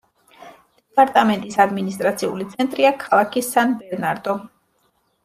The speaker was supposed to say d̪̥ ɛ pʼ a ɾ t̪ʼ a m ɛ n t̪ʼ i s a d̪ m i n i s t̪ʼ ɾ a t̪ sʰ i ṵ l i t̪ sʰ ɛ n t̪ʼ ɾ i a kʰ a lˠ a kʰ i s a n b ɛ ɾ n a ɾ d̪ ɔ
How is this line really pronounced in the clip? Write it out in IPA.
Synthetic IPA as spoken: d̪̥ ɛ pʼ a ɾ t̪ʼ a m ɛ n t̪ʼ i s a d̪ m i n i s t̪ʼ ɾ a t̪ sʰ i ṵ l i t̪ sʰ ɛ n t̪ʼ ɾ i a kʰ a lˠ a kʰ i s a n b ɛ ɾ n a ɾ d̪ ɔ

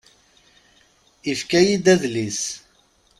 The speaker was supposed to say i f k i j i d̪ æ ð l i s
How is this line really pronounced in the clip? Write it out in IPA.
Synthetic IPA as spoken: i f k æ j i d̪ æ ð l i s

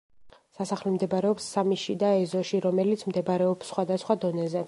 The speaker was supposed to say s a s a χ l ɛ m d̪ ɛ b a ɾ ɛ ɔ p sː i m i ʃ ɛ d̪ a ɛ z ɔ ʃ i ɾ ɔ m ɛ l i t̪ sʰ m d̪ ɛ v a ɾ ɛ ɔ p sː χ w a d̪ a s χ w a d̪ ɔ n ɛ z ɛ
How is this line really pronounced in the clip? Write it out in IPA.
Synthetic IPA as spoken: s a s a χ l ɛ m d̪ ɛ b a ɾ ɛ ɔ p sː a m i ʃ i d̪ a ɛ z ɔ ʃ i ɾ ɔ m ɛ l i t̪ sʰ m d̪ ɛ b a ɾ ɛ ɔ p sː χ w a d̪ a s χ w a d̪ ɔ n ɛ z ɛ

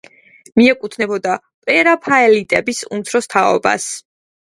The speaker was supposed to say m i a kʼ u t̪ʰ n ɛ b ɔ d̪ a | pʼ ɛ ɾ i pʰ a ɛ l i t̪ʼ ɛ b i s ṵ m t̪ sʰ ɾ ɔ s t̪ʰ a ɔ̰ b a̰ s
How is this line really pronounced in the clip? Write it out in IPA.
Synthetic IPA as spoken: m i ɛ kʼ u t̪ʰ n ɛ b ɔ d̪ a | pʼ ɛ ɾ a pʰ a ɛ l i t̪ʼ ɛ b i s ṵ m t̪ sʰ ɾ ɔ s t̪ʰ a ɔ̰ b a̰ s

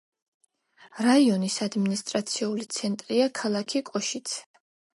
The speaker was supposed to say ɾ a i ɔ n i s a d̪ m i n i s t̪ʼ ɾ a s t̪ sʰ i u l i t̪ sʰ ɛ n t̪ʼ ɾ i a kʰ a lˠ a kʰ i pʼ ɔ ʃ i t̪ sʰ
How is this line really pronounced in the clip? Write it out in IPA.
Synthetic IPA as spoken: ɾ a i ɔ n i s a d̪ m i n i s t̪ʼ ɾ a t̪ sʰ i u l i t̪ sʰ ɛ n t̪ʼ ɾ i a kʰ a lˠ a kʰ i kʼ ɔ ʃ i t̪ sʰ

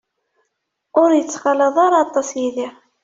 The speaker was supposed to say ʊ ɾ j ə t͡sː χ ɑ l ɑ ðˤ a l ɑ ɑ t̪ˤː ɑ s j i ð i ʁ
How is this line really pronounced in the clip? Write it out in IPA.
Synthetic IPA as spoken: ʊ ɾ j ə t͡sː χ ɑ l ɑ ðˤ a ɾ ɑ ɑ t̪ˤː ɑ s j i ð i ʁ

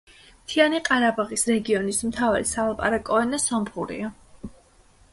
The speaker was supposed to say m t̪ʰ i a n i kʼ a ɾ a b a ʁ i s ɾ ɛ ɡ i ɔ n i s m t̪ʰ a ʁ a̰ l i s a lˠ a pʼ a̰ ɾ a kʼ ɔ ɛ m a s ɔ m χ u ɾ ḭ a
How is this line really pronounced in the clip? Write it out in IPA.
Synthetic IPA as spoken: m t̪ʰ i a n i qʼ a ɾ a b a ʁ i s ɾ ɛ ɡ i ɔ n i s m t̪ʰ a v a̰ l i s a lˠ a pʼ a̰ ɾ a kʼ ɔ ɛ n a s ɔ m χ u ɾ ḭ a

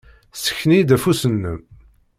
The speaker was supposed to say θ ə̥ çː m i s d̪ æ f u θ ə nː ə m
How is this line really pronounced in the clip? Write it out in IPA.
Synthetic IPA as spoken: s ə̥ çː n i d̪ æ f u s ə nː ə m

